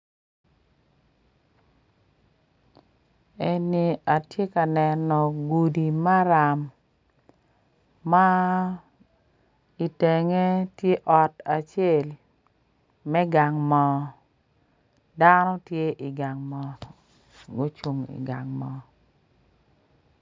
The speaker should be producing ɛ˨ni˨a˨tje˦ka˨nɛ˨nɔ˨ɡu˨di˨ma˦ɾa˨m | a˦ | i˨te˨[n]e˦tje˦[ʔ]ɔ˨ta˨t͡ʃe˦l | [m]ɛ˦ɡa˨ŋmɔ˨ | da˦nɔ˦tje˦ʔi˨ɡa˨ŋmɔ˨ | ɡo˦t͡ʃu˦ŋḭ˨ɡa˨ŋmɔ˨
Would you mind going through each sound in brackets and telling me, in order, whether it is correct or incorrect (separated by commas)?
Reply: incorrect, correct, correct